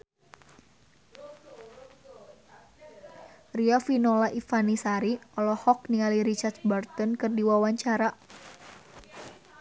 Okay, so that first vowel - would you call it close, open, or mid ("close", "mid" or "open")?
close